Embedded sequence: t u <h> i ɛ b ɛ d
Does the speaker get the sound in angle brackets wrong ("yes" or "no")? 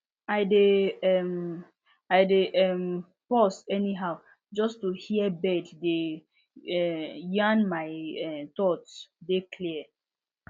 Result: no